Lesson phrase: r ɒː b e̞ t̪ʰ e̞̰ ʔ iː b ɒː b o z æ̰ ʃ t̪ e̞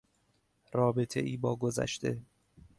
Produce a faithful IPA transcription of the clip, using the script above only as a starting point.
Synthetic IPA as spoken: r ɒː b e̞ t̪ʰ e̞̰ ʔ iː b ɒː ɡ o z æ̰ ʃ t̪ e̞